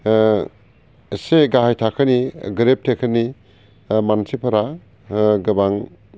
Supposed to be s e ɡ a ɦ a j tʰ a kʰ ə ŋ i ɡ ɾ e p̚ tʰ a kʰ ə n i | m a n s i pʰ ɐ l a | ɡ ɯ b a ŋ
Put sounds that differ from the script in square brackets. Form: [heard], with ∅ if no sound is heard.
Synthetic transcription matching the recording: s e ɡ a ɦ a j tʰ a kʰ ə [n] i ɡ ɾ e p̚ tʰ [e] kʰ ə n i | m a n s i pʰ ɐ [ɾ] a | ɡ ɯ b a ŋ